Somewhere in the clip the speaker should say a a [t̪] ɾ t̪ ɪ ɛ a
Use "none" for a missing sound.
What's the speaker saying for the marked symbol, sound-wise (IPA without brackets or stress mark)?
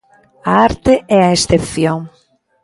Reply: none